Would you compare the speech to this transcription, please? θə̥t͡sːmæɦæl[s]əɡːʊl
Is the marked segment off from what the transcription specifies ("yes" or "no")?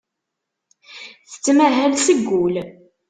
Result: no